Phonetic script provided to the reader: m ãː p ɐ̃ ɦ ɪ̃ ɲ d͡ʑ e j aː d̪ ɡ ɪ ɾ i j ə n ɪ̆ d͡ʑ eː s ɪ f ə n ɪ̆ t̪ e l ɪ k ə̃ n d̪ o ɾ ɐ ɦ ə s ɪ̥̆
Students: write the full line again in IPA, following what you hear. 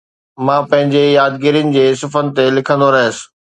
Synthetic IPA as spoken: m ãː p ɐ̃ ɦ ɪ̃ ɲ d͡ʑ e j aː d̪ ɡ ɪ ɾ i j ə n ɪ̆ d͡ʑ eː s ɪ f ə n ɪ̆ t̪ e l ɪ kʰ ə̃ n d̪ o ɾ ɐ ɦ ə s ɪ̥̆